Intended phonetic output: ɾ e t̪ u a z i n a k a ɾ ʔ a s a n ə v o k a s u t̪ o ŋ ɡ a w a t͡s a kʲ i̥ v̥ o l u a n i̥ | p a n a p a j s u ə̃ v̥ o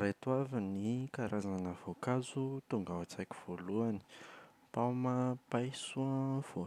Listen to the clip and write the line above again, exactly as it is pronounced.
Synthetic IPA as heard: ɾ e t̪ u a v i n i k a ɾ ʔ a z a n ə v o k a z u t̪ u ŋ ɡ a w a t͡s a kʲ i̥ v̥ o l u a n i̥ | p a m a p a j s u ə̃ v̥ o